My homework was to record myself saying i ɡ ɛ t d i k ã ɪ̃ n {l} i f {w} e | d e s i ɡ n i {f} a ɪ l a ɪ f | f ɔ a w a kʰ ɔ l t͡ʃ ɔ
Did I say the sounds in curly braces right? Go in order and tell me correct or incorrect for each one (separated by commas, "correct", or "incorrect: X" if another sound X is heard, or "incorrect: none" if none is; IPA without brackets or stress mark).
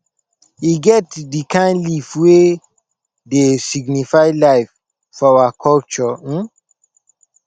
correct, correct, correct